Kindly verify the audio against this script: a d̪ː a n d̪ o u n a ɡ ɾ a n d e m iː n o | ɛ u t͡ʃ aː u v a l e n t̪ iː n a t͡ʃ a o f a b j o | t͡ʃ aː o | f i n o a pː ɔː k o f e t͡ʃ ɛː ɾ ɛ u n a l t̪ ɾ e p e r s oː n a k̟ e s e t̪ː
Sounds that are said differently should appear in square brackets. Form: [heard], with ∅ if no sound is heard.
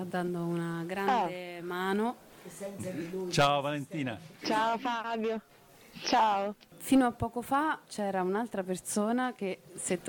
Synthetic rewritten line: a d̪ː a n d̪ o u n a ɡ ɾ a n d e m [aː] n o | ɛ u t͡ʃ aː [o] v a l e n t̪ iː n a t͡ʃ a o f a b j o | t͡ʃ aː o | f i n o a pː ɔː k o f [a] t͡ʃ ɛː ɾ [a] u n a l t̪ ɾ [a] p e r s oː n a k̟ e s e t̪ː